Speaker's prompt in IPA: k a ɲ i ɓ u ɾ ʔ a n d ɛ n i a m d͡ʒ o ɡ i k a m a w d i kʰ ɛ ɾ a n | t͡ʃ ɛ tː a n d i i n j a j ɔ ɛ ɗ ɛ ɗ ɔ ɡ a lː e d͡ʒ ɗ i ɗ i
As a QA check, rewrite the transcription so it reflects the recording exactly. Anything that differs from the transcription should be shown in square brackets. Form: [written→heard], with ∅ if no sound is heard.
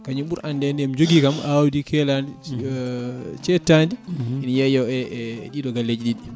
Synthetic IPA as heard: k a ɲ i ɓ u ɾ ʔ a n d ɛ n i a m d͡ʒ o ɡ i k a m a w d i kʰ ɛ [ɾ→l] a n | t͡ʃ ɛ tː a n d i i n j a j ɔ ɛ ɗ [ɛ→i] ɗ ɔ ɡ a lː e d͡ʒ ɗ i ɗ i